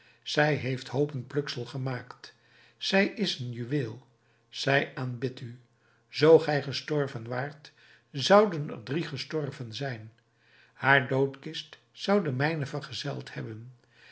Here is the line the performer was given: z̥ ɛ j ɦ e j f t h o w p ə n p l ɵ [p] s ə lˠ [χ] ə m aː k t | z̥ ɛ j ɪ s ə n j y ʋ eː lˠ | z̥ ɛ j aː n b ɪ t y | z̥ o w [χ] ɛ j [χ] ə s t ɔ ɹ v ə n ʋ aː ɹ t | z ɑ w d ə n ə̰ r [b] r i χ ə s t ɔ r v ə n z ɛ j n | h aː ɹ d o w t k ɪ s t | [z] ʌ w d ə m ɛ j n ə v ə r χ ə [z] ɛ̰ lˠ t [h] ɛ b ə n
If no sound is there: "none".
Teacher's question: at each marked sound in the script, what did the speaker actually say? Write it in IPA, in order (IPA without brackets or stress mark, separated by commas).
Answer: k, χ, χ, χ, d, s, z, h